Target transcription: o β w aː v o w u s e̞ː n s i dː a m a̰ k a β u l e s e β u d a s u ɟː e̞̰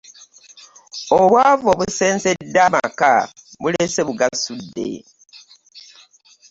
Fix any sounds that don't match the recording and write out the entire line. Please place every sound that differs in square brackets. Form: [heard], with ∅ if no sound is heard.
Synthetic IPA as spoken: o β w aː v o [β] u s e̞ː n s [e] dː a m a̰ k a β u l e s e β u [ɡ] a s u [dː] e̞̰